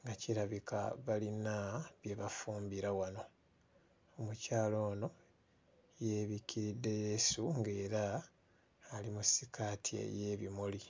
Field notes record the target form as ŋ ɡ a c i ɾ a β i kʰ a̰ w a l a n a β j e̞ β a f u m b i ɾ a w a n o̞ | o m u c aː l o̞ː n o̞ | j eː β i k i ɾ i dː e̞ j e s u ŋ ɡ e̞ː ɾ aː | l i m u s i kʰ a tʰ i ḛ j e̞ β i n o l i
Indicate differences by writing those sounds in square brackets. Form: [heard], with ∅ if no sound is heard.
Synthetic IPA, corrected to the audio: ŋ ɡ a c i ɾ a β i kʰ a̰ [β] a l [i] n a β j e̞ β a f [uː] m b i ɾ a w a n o̞ | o m u c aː l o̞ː n o̞ | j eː β i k i ɾ i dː e̞ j e s u ŋ ɡ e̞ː ɾ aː | l i m u s i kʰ a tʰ i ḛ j e̞ β i [m] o l i